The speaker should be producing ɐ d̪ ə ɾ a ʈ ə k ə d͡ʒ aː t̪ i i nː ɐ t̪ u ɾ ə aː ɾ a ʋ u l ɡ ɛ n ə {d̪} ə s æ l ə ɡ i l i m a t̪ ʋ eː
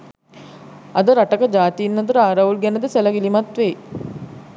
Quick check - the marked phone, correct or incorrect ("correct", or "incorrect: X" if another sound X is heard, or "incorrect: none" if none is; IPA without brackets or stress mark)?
correct